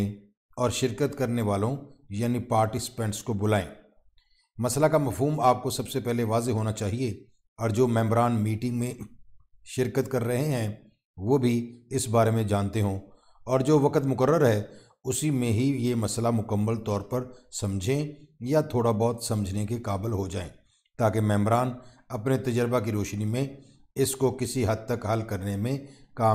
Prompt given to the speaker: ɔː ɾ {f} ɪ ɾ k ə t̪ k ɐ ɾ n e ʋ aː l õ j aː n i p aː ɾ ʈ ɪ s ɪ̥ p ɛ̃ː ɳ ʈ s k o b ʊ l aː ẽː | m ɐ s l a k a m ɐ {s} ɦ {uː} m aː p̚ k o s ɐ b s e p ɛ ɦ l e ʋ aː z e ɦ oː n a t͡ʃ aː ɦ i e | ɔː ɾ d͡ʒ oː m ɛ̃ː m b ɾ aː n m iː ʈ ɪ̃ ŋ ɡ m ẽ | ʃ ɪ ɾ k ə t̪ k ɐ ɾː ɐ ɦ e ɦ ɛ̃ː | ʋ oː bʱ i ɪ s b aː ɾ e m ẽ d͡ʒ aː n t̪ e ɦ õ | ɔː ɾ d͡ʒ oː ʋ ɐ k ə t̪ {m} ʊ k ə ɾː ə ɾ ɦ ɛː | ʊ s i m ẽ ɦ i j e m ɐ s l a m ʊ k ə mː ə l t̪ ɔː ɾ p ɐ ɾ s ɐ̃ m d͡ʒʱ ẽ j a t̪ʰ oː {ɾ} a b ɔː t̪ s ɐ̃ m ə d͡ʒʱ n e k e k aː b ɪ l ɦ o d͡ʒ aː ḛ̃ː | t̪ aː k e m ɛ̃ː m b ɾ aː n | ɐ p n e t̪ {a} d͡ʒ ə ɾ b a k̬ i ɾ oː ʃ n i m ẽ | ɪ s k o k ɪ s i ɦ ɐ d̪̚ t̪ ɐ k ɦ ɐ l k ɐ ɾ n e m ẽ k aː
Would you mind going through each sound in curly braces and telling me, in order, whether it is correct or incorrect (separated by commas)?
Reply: incorrect, incorrect, correct, correct, incorrect, incorrect